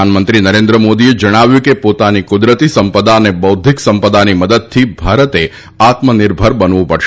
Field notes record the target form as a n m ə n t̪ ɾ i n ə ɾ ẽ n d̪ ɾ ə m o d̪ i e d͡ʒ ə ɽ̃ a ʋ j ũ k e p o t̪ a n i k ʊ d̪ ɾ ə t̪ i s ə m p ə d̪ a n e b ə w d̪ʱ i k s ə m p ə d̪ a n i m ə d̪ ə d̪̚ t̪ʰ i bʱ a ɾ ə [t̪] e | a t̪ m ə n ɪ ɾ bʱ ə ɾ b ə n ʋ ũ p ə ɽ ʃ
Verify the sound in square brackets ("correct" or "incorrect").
correct